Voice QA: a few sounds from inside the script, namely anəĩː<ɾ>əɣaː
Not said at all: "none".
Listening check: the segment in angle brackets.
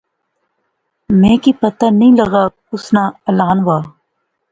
l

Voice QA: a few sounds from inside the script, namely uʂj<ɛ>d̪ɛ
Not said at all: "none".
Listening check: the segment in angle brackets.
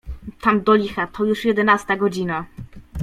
ɛ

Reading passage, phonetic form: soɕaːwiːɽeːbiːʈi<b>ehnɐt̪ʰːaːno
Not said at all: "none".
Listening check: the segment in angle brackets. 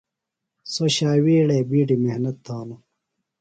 m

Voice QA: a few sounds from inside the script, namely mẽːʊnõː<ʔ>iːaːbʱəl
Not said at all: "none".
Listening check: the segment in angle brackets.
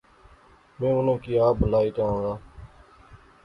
k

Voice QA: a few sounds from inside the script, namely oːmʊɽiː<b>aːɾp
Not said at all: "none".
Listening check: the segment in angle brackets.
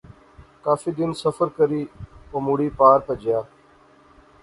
p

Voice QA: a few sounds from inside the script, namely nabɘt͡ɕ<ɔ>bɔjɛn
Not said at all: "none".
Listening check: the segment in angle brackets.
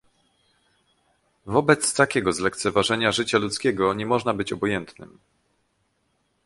ɔ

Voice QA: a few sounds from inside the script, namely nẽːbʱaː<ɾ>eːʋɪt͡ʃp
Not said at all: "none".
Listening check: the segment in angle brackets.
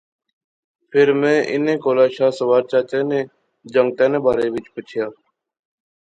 ɾ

